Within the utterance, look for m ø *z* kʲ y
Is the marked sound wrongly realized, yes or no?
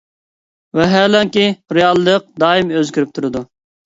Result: no